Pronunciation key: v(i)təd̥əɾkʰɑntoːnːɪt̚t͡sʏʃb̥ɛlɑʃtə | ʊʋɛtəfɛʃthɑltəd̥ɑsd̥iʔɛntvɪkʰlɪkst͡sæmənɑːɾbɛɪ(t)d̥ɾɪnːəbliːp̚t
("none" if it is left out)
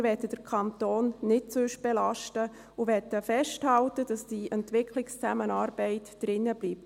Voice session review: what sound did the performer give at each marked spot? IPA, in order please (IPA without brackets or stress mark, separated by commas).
ɛ, t